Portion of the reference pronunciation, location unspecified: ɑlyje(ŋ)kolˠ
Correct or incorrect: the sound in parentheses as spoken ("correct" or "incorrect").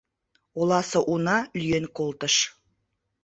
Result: incorrect